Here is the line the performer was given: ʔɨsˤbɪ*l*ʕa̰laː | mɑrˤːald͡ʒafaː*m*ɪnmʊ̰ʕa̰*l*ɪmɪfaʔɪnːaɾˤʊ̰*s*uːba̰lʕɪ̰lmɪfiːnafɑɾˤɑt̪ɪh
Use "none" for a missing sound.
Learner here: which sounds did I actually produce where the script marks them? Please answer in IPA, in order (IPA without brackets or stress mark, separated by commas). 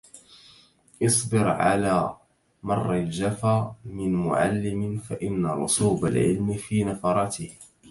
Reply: ɾ, m, lː, s